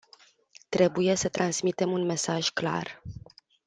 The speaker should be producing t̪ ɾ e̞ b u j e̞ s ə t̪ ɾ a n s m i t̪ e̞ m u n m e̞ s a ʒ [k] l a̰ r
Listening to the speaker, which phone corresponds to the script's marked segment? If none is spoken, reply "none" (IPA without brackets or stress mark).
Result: k